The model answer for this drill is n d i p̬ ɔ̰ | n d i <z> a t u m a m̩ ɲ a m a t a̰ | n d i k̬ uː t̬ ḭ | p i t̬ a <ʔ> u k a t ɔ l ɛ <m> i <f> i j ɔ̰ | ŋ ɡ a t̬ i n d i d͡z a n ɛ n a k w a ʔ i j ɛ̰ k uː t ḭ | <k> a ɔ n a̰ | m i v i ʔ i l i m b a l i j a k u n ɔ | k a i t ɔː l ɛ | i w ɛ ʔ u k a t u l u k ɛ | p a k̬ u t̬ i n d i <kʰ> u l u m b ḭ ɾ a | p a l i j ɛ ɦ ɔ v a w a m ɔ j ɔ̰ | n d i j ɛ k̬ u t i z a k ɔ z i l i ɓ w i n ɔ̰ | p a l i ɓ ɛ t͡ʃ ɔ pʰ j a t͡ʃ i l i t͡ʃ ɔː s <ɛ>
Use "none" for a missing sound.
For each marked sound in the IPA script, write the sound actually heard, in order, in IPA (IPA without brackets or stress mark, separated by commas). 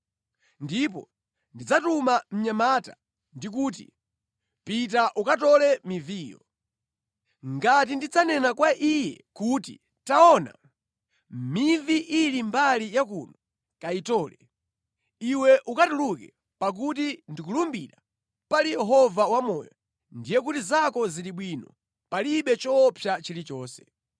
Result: d͡z, ʔ, m, v, t, k, ɛ